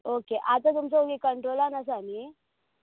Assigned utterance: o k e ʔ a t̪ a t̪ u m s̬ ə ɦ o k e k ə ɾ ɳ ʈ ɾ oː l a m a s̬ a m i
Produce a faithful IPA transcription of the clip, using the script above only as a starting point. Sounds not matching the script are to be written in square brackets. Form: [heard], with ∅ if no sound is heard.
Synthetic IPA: o k e ʔ a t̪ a t̪ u m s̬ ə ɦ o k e k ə [∅] ɳ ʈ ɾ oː l a [n] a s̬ a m i